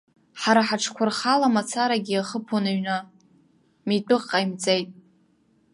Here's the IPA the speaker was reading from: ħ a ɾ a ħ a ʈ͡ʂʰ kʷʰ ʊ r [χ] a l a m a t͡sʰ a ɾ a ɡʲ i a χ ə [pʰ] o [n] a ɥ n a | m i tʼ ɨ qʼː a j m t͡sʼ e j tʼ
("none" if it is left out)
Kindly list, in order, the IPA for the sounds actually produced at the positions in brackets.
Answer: χ, pʰ, n

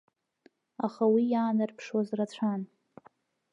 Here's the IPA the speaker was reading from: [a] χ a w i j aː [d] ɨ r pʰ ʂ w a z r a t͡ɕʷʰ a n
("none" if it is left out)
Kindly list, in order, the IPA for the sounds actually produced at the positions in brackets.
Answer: a, n

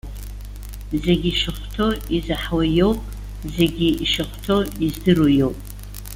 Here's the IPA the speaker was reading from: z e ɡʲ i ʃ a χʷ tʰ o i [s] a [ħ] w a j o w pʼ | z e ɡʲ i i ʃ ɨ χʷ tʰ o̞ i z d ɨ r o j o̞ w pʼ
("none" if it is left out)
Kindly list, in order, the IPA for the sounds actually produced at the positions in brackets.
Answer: z, ħ

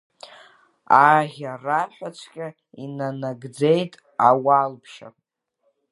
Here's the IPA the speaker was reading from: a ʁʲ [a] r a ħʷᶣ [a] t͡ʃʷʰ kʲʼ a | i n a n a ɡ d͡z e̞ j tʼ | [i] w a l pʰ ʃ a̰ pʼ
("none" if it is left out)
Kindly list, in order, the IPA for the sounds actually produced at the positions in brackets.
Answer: a, a, a

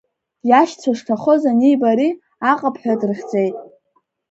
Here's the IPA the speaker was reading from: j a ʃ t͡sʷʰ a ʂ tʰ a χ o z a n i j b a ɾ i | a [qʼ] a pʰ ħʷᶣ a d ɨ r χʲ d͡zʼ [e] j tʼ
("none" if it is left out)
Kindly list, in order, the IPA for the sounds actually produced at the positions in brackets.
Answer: qʼ, e

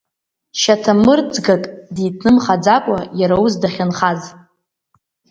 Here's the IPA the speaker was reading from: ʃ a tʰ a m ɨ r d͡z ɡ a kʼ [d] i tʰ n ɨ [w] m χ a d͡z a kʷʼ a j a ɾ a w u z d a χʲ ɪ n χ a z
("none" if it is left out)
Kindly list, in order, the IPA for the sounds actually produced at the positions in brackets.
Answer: d, none

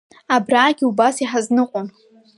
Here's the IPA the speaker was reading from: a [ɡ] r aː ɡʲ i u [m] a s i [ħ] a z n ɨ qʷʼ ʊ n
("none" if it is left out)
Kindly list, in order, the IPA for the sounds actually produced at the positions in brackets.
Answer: b, b, ħ

